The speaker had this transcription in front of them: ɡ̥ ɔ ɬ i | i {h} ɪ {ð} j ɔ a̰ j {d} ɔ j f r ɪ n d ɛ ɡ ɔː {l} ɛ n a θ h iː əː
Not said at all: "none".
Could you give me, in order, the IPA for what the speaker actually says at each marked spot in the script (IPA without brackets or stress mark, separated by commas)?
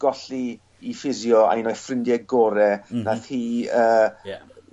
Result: f, z, n, ɾ